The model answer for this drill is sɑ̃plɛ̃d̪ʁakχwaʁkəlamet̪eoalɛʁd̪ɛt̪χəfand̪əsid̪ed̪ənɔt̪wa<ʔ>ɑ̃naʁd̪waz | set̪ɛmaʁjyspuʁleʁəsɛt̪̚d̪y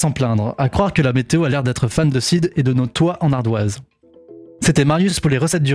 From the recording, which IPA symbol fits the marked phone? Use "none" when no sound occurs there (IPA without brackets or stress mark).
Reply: ʔ